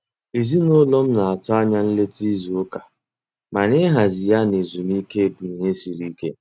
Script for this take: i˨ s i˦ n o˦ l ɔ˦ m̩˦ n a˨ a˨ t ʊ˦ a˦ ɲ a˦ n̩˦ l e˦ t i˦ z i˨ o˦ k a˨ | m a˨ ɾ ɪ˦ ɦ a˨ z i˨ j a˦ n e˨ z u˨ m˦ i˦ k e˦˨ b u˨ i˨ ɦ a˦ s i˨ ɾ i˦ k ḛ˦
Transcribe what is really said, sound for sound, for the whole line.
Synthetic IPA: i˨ z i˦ n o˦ l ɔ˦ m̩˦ n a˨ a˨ t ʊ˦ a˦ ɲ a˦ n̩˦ l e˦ t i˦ z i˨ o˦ k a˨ | m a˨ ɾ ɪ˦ ɦ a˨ z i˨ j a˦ n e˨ z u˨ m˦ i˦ k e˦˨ b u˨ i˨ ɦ e˦ s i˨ ɾ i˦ k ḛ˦